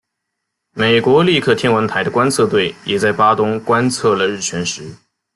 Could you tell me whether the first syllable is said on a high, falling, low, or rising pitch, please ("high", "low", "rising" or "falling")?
low